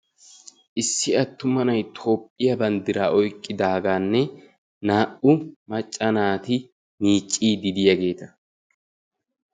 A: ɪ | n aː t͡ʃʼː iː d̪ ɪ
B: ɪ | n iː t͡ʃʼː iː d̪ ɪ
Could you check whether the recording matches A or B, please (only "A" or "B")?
B